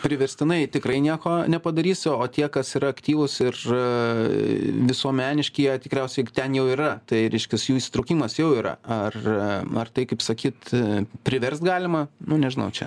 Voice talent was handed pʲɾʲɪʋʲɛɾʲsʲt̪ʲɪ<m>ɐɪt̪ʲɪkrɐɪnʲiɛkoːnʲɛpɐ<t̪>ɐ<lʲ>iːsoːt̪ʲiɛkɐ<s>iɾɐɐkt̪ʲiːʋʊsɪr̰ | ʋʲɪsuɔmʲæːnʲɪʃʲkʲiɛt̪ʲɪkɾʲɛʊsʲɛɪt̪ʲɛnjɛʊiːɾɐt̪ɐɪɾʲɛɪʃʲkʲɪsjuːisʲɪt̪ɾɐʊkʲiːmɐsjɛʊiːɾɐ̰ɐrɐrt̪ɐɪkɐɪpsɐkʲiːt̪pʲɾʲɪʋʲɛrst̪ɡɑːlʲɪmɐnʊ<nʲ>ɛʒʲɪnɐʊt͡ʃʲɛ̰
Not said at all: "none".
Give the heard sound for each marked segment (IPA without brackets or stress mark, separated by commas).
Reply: n, d̪, ɾʲ, s, nʲ